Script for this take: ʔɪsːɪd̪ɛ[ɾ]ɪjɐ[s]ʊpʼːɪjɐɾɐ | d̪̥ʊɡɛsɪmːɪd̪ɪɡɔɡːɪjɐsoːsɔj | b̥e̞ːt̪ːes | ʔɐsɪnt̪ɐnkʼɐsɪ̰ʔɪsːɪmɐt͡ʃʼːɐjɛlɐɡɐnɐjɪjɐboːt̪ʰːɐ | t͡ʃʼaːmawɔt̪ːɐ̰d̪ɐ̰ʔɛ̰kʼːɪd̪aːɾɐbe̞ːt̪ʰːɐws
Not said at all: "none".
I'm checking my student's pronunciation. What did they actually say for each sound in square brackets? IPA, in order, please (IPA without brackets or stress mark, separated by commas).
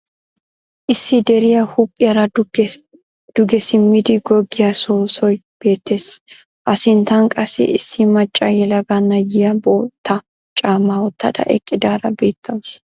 ɾ, h